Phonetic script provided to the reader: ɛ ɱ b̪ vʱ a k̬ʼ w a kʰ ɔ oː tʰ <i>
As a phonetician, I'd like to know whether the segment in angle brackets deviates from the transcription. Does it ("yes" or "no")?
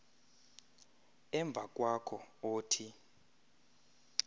no